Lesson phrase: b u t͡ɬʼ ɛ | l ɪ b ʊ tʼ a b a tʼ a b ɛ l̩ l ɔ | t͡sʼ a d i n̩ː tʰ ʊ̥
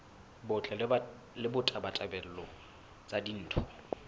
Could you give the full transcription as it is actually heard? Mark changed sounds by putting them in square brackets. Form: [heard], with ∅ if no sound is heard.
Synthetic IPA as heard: b [ʊ] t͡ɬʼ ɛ | l ɪ b ʊ tʼ a b a tʼ a b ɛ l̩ l ɔ | t͡sʼ a d i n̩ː tʰ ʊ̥